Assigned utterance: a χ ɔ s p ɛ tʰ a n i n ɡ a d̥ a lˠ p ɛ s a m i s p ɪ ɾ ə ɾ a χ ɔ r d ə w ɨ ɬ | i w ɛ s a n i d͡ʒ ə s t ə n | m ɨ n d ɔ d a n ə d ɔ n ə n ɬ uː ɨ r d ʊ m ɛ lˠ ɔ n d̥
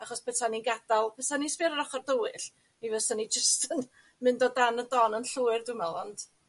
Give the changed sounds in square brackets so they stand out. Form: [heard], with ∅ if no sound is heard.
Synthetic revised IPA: a χ ɔ s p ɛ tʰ a n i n ɡ a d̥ a lˠ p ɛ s a [n] i s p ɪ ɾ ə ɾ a χ ɔ r d ə w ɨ ɬ | i [v] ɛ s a n i d͡ʒ ə s t ə n | m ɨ n d ɔ d a n ə d ɔ n ə n ɬ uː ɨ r d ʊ m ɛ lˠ ɔ n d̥